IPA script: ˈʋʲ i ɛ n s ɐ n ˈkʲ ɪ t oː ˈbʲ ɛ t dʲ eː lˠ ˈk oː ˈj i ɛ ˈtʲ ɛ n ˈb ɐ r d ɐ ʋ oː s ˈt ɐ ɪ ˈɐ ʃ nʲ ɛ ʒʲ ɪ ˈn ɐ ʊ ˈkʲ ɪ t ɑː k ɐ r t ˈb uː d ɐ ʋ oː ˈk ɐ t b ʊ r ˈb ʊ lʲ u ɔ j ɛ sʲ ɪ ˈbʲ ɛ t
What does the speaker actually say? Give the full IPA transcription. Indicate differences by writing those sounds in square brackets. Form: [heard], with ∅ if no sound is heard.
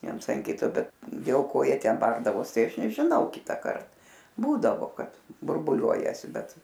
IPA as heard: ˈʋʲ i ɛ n s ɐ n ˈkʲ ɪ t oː ˈbʲ ɛ t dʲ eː lˠ ˈk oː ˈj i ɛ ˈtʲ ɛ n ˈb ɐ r d ɐ ʋ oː s ˈt ɐ ɪ ˈɐ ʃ nʲ ɛ ʒʲ ɪ ˈn ɐ ʊ ˈkʲ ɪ t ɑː k ɐ r t ˈb uː d ɐ ʋ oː ˈk ɐ t b ʊ r ˈb ʊ lʲ u ɔ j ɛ sʲ ɪ ˈbʲ ɛ t

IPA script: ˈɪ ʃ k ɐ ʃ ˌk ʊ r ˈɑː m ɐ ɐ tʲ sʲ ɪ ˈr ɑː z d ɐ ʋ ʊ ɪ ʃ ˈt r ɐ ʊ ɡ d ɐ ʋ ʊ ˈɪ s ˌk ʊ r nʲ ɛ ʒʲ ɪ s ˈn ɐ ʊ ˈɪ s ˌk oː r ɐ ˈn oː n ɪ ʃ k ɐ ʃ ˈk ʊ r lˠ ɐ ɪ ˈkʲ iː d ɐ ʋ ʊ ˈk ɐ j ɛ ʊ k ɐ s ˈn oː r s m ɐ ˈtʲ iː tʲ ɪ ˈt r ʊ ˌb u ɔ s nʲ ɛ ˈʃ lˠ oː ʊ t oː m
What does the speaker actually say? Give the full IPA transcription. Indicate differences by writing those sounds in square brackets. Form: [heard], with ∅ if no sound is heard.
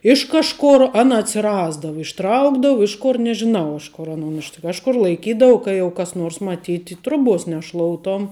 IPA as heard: ˈɪ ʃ k ɐ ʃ ˌk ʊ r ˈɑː [n] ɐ ɐ tʲ sʲ ɪ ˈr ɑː z d ɐ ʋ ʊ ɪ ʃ ˈt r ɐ ʊ ɡ d ɐ ʋ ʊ ˈɪ [ʃ] ˌk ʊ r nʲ ɛ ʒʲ ɪ [∅] ˈn ɐ ʊ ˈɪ [ʃ] ˌk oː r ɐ ˈn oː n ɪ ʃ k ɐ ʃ ˈk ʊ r lˠ ɐ ɪ ˈkʲ iː d ɐ ʋ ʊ ˈk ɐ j ɛ ʊ k ɐ s ˈn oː r s m ɐ ˈtʲ iː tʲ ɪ ˈt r ʊ ˌb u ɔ s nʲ ɛ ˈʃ lˠ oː ʊ t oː m

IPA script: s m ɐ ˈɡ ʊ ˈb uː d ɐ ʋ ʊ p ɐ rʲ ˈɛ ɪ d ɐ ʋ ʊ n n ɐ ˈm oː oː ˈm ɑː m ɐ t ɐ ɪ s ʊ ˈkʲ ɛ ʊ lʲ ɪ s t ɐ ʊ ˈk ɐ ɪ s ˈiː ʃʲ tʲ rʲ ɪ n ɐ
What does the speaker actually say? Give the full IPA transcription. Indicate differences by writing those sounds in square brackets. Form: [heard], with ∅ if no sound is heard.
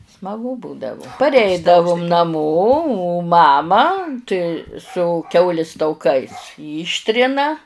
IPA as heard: s m ɐ ˈɡ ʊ ˈb uː d ɐ ʋ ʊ p ɐ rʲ ˈɛ ɪ d ɐ ʋ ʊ [m] n ɐ ˈm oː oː ˈm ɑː m ɐ t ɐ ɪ s ʊ ˈkʲ ɛ ʊ lʲ ɪ s t ɐ ʊ ˈk ɐ ɪ s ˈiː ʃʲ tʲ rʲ ɪ n ɐ

